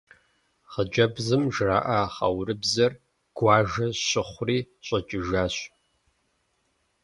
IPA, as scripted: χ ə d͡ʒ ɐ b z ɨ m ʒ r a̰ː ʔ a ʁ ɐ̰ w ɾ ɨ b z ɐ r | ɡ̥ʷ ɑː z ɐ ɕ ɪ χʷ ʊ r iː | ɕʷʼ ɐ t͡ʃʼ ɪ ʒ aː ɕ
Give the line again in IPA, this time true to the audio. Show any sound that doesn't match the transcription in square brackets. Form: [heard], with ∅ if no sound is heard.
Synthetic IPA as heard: χ ə d͡ʒ ɐ b z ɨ m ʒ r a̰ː ʔ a [χ] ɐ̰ w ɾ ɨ b z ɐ r | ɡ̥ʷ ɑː [ʒ] ɐ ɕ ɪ χʷ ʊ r iː | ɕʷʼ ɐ t͡ʃʼ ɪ ʒ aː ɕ